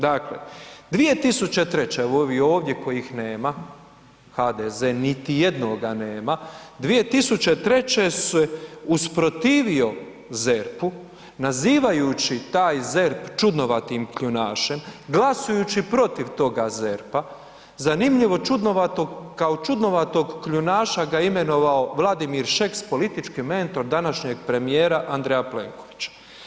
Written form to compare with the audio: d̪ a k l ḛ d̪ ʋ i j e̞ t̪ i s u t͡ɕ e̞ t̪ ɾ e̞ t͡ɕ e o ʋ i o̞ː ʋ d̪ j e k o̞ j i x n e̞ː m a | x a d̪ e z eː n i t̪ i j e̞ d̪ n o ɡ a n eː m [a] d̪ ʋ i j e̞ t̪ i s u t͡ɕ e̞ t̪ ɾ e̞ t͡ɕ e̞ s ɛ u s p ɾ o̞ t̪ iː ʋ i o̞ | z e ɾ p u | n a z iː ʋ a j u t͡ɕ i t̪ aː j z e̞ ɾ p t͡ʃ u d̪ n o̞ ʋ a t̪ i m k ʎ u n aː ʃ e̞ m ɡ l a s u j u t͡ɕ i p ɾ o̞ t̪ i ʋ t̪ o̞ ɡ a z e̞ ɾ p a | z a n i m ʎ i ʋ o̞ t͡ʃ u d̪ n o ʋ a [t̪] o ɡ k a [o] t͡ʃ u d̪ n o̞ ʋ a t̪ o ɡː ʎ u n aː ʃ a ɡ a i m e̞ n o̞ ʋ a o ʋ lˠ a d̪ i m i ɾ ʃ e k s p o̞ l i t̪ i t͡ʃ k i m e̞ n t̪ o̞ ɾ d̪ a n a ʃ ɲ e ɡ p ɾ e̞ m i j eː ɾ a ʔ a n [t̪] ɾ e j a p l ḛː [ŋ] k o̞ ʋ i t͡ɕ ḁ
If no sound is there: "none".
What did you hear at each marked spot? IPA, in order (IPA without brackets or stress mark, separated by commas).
a, t̪, o, d̪, ŋ